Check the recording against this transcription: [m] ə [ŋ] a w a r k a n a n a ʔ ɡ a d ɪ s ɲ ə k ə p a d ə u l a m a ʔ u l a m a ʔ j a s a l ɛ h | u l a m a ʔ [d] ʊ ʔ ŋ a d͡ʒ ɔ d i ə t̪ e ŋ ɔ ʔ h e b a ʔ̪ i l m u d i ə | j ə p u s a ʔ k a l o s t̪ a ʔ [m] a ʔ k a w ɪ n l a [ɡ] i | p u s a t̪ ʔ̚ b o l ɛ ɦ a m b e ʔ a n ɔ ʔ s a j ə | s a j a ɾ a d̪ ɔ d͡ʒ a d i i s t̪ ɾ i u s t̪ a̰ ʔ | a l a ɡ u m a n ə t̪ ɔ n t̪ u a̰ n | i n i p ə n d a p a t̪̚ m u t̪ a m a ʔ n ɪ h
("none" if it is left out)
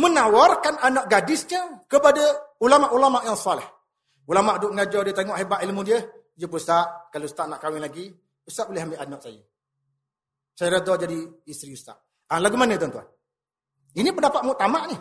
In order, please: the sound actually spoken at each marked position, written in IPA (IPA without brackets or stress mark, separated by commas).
m, n, d, n, ɡ